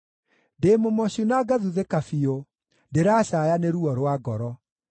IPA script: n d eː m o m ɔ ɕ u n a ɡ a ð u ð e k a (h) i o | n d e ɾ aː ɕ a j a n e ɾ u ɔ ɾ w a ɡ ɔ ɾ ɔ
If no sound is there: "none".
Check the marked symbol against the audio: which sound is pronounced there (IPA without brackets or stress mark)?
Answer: f